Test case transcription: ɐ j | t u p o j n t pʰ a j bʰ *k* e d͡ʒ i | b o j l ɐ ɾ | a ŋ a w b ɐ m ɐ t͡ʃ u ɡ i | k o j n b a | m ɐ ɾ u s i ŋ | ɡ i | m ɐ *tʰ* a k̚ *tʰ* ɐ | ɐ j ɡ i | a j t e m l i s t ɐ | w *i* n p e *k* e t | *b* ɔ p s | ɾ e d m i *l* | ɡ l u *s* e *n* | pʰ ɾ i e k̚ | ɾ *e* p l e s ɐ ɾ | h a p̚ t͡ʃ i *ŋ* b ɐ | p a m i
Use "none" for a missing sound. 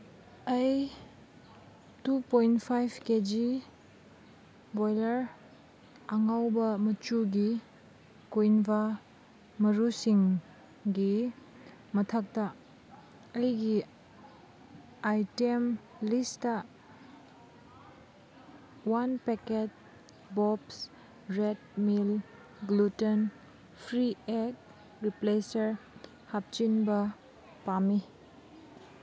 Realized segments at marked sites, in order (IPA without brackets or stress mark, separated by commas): k, tʰ, t, a, k, b, l, t, n, i, n